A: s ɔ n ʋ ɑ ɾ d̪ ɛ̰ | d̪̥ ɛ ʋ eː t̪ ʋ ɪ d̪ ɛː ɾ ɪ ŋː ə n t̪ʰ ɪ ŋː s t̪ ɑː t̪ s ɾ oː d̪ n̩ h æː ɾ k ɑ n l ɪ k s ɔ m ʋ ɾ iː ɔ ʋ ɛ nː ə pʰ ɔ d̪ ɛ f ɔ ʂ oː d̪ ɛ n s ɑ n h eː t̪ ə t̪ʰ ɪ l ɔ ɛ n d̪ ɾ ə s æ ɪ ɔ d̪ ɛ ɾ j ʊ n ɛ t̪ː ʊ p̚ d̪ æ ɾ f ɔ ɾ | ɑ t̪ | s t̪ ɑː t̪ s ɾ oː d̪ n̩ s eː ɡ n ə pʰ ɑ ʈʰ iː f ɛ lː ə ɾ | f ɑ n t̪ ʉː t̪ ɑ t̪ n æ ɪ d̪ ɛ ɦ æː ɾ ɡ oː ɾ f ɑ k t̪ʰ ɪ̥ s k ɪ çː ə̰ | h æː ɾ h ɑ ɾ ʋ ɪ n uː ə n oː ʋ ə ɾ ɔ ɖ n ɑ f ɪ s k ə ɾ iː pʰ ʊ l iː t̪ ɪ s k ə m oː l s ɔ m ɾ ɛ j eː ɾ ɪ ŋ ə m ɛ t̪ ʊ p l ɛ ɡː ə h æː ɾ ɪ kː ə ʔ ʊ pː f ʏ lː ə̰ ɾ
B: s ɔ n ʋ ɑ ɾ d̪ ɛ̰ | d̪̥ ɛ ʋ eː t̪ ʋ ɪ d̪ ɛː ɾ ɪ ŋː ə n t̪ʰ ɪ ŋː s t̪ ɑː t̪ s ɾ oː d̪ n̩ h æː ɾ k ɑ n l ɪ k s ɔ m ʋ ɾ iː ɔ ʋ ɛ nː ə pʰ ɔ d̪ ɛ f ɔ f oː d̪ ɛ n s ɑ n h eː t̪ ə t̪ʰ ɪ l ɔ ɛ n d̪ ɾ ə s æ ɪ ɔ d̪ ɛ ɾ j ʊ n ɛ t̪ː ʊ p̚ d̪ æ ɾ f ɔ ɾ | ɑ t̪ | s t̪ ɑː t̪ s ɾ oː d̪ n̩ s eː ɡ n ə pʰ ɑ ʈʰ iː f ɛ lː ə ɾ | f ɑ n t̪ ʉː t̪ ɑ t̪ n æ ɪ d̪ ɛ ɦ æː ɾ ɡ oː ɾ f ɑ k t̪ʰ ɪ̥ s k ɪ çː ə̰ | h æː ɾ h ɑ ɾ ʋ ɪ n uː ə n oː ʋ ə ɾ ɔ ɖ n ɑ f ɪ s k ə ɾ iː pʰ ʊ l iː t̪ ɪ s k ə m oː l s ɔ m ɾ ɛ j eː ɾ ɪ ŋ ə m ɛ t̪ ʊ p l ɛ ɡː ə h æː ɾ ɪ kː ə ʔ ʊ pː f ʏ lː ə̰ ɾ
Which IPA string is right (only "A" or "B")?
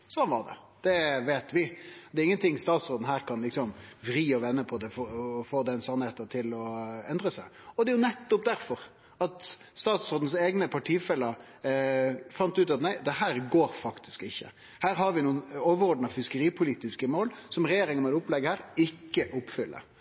B